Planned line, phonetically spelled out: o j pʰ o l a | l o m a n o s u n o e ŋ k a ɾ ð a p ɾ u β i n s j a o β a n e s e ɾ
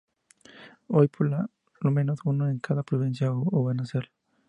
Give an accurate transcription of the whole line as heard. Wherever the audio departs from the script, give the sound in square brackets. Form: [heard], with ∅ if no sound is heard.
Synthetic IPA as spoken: o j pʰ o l a | l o m [e] n o s u n o e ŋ k a [∅] ð a p ɾ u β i n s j a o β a n [a] s e ɾ